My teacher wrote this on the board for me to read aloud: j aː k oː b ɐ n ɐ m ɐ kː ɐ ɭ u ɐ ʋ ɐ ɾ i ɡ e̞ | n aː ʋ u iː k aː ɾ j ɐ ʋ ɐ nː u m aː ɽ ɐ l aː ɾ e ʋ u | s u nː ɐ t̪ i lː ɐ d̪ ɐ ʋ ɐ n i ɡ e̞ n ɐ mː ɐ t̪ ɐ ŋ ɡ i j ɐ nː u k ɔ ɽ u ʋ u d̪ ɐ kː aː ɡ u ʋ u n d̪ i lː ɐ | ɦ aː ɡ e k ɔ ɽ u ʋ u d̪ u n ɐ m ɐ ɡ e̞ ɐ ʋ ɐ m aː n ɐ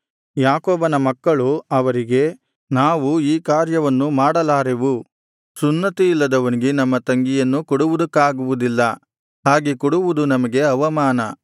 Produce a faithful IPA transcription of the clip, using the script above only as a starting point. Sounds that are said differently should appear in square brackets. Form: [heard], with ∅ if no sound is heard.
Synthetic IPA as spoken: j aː k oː b ɐ n ɐ m ɐ kː ɐ ɭ u ɐ ʋ ɐ ɾ i ɡ e̞ | n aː ʋ u iː k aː ɾ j ɐ ʋ ɐ nː u m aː ɽ ɐ l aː ɾ e ʋ u | s u nː ɐ t̪ i lː ɐ d̪ ɐ ʋ ɐ n i ɡ e̞ n ɐ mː ɐ t̪ ɐ ŋ ɡ i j ɐ nː u k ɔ ɽ u ʋ u d̪ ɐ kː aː ɡ u ʋ u [∅] d̪ i lː ɐ | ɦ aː ɡ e k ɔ ɽ u ʋ u d̪ u n ɐ m ɐ ɡ e̞ ɐ ʋ ɐ m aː n ɐ